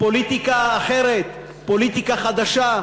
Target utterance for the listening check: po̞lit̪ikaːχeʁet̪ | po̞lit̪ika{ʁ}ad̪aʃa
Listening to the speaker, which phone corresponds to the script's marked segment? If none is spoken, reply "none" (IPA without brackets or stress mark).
χ